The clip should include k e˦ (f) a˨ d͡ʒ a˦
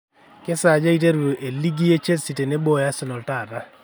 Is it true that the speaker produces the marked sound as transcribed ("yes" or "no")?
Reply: no